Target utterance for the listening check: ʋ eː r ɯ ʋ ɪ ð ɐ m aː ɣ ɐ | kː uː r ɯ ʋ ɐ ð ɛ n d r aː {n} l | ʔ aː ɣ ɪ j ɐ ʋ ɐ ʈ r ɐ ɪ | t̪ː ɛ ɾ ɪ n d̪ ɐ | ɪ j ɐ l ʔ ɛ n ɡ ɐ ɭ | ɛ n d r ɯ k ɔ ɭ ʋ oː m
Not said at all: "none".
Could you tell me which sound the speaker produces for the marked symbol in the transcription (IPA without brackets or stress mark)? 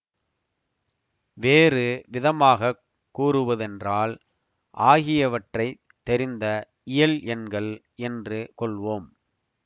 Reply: none